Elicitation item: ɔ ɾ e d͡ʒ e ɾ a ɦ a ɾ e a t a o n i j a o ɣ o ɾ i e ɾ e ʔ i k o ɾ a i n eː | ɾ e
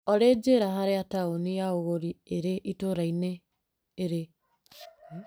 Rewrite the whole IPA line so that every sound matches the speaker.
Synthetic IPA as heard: ɔ ɾ e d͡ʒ e ɾ a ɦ a ɾ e a t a o n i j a o ɣ o ɾ i e ɾ e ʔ i t o ɾ a i n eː | ɾ e